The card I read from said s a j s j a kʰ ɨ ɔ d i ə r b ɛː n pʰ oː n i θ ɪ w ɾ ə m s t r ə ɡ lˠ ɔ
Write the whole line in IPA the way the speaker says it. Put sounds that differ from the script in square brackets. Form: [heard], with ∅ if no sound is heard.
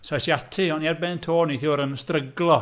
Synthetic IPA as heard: s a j s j a [tʰ] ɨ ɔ [n] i [a] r b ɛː n [tʰ] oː n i θ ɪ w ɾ ə [n] s t r ə ɡ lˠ ɔ